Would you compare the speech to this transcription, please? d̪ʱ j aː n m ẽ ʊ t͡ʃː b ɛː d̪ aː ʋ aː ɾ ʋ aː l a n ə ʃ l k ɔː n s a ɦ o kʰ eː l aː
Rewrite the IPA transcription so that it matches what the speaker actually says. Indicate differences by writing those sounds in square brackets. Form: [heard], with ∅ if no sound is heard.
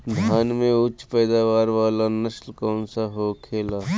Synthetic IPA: d̪ʱ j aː n m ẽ ʊ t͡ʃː [p] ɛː d̪ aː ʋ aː ɾ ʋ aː l a n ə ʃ l k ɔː n s a ɦ o kʰ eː l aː